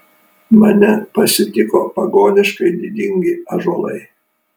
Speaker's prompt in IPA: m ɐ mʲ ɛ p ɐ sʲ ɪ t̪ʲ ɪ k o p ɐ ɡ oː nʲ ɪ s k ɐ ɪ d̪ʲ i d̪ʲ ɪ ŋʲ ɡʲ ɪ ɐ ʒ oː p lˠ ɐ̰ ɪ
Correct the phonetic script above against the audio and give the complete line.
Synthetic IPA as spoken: m ɐ nʲ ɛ p ɐ sʲ ɪ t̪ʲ ɪ k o p ɐ ɡ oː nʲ ɪ ʃ k ɐ ɪ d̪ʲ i d̪ʲ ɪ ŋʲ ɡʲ ɪ ɐ ʒ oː lˠ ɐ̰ ɪ